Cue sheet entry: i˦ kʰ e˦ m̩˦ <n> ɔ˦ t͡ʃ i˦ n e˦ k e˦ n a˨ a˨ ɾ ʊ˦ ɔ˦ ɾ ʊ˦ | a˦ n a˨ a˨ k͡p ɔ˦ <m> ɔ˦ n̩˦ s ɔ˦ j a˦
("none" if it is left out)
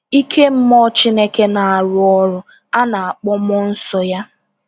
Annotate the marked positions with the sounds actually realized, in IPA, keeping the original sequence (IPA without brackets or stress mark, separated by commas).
m, m